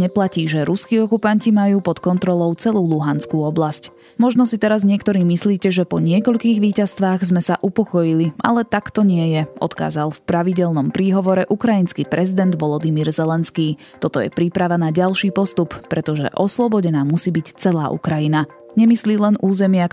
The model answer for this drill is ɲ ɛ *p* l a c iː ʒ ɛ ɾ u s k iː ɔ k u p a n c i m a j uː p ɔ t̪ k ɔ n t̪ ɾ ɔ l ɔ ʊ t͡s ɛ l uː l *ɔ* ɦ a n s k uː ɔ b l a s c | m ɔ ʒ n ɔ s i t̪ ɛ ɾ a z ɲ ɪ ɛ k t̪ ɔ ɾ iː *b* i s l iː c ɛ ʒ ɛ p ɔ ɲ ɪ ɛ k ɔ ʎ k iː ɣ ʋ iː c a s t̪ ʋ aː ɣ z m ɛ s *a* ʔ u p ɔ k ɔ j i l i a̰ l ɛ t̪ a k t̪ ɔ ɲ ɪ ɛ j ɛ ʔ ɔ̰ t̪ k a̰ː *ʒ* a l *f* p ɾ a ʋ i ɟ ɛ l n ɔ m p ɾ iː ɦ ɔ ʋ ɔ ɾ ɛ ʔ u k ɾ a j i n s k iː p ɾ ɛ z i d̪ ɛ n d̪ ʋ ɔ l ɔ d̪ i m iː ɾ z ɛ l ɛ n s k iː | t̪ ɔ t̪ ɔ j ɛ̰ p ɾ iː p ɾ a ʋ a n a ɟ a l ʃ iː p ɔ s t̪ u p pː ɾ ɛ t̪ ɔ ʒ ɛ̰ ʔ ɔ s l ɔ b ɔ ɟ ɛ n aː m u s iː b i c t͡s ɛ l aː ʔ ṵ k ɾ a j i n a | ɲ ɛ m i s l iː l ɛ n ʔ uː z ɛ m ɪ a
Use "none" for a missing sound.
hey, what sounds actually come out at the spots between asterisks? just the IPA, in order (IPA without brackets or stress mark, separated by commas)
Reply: p, u, m, a, z, f